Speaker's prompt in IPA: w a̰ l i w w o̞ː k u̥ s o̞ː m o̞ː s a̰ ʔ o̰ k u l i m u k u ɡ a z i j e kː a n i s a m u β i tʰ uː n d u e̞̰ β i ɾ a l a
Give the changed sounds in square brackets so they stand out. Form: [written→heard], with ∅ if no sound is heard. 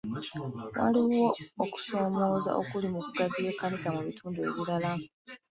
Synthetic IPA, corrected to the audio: w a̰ l i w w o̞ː k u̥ s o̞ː m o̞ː [s→z] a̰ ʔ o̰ k u l i m u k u ɡ a z i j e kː a n i s a m u β i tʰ uː n d u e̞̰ β i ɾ a l a